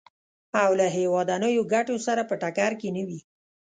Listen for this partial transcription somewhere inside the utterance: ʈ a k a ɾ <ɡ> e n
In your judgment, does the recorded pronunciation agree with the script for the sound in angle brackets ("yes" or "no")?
no